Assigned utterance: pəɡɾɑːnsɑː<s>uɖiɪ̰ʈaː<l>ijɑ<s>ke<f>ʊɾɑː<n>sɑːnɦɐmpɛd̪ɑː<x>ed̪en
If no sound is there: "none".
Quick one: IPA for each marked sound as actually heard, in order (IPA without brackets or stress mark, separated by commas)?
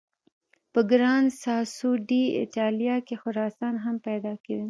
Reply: s, l, none, x, none, k